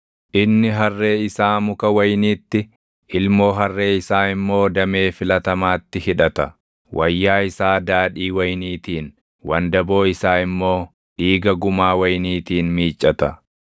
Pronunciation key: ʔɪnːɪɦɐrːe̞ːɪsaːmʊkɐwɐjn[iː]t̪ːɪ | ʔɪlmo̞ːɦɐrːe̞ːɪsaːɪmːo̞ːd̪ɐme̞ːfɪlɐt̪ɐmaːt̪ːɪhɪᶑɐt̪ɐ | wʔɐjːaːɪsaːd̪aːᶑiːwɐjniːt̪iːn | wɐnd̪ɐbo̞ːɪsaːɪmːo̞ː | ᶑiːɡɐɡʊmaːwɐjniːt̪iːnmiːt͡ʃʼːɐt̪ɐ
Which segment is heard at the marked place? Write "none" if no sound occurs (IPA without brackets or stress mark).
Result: iː